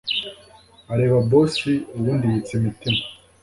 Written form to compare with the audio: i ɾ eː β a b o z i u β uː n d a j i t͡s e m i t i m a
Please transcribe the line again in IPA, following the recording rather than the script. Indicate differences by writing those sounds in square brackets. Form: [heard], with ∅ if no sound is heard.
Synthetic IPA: [a] ɾ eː β a b o [s] i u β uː n d [i] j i t͡s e m i t i m a